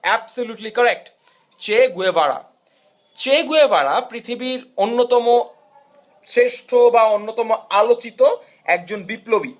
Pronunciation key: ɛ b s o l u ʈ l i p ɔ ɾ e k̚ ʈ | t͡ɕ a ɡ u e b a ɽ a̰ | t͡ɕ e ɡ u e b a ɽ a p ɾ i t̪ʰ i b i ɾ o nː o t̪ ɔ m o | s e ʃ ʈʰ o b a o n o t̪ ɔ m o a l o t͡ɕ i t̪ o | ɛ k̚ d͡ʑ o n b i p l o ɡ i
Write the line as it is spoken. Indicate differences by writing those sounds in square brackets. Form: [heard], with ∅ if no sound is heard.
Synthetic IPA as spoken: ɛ b s o l u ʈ l i [k] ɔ ɾ e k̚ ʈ | t͡ɕ [e] ɡ u e b a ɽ a̰ | t͡ɕ e ɡ u e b a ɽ a p ɾ i t̪ʰ i b i ɾ o nː o t̪ ɔ m o | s e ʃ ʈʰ o b a o [nː] o t̪ ɔ m o a l o t͡ɕ i t̪ o | ɛ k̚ d͡ʑ o n b i p l o [b] i